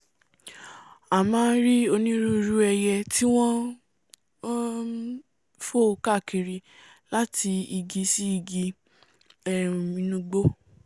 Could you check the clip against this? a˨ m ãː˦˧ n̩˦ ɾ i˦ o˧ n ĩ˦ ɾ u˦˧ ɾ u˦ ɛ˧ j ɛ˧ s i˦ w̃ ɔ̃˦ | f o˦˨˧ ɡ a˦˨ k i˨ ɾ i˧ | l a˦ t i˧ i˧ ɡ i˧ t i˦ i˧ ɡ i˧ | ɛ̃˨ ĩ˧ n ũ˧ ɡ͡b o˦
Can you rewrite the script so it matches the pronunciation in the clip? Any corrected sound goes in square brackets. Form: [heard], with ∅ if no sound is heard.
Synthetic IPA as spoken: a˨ m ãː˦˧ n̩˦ ɾ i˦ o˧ n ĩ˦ ɾ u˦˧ ɾ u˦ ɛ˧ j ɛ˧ [t] i˦ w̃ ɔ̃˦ | f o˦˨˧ [k] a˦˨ k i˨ ɾ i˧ | l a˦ t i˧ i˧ ɡ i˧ [s] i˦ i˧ ɡ i˧ | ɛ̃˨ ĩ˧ n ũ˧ ɡ͡b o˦